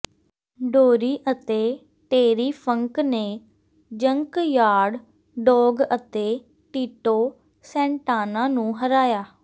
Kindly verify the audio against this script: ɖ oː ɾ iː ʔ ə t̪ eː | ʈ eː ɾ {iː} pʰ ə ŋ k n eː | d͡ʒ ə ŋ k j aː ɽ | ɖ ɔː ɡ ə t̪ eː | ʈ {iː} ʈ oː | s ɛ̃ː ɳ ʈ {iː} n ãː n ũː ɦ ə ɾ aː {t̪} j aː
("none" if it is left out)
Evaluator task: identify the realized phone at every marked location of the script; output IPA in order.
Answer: iː, iː, aː, none

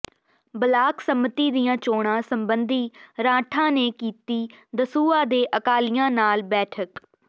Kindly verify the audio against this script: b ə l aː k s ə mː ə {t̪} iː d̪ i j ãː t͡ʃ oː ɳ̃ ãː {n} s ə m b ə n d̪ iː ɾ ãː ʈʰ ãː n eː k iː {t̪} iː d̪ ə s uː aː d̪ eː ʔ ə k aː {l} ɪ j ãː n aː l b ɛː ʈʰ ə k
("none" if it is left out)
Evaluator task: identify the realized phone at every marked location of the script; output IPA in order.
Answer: t̪, none, t̪, l

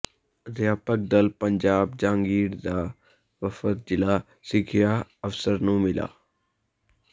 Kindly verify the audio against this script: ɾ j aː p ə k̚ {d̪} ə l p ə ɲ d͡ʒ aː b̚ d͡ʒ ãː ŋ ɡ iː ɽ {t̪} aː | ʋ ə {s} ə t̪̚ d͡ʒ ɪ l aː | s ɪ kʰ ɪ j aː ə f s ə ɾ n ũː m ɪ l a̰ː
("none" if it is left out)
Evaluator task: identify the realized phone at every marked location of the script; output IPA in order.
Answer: d̪, d̪, f

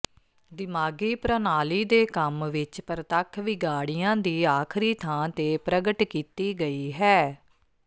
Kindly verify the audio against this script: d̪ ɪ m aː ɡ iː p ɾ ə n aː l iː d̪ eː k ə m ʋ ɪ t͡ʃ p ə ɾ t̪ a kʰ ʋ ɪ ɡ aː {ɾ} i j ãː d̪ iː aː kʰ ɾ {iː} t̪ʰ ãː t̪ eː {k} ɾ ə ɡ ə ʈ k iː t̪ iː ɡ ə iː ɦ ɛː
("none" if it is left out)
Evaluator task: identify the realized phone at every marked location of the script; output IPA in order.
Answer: ɽ, iː, p

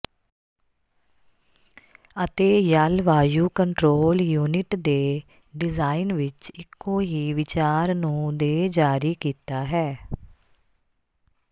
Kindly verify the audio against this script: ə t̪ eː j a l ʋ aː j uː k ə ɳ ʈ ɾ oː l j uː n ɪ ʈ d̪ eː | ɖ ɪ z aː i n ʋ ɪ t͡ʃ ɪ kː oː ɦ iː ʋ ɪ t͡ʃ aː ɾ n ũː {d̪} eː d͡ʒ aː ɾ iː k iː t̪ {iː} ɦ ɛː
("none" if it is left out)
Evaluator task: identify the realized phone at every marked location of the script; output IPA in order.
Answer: d̪, aː

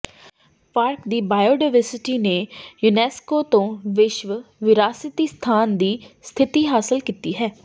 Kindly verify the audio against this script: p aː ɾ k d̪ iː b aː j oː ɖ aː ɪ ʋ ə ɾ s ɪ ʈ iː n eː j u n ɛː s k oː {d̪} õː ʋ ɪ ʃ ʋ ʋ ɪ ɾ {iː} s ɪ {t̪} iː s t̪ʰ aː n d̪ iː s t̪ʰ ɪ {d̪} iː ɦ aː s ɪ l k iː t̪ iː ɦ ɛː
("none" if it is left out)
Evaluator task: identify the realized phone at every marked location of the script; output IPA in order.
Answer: t̪, aː, t̪, t̪

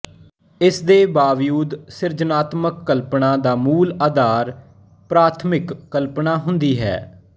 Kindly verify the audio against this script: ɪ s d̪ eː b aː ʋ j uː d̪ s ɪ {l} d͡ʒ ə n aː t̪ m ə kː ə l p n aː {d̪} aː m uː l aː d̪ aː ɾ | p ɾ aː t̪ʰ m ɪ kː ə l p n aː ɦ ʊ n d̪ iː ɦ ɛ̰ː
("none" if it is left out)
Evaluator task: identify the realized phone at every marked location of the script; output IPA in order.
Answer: ɾ, d̪

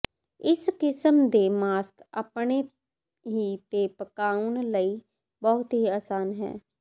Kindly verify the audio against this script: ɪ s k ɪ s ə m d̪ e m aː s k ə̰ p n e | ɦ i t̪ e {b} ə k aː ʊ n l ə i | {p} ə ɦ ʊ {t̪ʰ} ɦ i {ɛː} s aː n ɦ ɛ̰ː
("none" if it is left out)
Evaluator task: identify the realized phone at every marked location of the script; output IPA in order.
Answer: p, b, t̪, aː

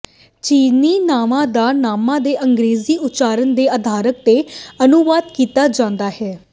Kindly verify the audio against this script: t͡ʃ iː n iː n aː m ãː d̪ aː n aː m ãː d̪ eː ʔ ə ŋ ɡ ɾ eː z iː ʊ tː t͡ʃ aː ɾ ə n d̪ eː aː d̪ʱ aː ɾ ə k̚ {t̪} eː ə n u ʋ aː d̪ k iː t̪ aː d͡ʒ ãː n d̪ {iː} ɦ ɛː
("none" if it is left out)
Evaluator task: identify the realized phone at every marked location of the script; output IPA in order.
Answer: t̪, aː

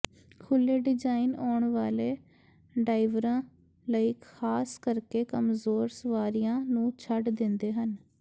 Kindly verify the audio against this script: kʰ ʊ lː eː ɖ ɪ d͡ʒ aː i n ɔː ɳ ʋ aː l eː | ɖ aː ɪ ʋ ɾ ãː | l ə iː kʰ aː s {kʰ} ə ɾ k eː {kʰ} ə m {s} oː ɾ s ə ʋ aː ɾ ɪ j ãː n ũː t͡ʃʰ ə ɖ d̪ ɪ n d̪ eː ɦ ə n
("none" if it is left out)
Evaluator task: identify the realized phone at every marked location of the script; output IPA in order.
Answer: k, k, z

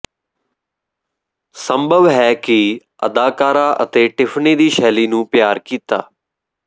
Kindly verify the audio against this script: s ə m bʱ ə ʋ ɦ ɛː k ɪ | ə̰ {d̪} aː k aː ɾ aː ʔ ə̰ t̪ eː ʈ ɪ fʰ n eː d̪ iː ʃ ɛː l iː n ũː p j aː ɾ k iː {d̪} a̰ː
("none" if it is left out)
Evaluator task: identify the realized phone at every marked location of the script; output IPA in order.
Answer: d̪, t̪

